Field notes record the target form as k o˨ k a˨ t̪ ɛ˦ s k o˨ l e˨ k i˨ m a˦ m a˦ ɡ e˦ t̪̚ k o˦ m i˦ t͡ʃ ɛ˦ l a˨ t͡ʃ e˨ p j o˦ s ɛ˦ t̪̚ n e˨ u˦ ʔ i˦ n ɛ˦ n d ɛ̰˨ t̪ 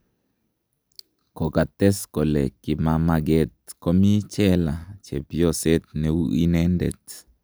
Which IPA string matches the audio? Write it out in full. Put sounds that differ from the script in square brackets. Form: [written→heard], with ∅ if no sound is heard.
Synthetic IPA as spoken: k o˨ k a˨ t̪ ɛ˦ s k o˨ l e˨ k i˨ m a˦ m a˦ ɡ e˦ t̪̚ k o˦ m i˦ t͡ʃ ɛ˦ l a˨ t͡ʃ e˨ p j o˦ s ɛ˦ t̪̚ n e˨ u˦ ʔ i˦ n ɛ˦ n d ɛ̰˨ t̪